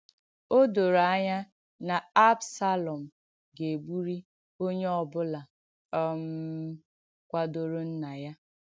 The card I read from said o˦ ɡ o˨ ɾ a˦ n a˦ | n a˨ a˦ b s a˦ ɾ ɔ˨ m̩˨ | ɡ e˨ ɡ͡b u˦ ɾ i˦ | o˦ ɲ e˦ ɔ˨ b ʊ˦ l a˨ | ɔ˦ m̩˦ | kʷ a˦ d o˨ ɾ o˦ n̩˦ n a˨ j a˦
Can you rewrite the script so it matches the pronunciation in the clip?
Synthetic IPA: o˦ d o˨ ɾ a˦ ɲ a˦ | n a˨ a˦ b s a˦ l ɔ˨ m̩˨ | ɡ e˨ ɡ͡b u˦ ɾ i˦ | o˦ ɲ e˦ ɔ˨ b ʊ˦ l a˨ | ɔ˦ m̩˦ | kʷ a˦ d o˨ ɾ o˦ n̩˦ n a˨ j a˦